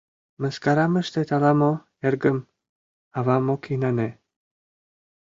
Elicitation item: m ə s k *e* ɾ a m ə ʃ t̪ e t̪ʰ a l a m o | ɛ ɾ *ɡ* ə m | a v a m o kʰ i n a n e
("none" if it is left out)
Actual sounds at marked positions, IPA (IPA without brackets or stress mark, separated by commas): a, ɡ